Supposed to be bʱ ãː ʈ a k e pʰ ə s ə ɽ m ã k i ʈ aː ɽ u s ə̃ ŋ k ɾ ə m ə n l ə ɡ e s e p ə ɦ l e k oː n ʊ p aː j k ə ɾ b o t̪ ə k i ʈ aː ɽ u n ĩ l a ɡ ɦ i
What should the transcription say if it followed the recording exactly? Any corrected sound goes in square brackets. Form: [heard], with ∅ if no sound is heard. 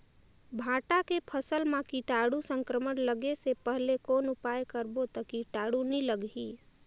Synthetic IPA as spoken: bʱ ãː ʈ a k e pʰ ə s ə [l] m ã k i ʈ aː ɽ u s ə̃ ŋ k ɾ ə m ə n l ə ɡ e s e p ə ɦ l e k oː n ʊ p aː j k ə ɾ b o t̪ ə k i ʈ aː ɽ u n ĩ l [ə] ɡ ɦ i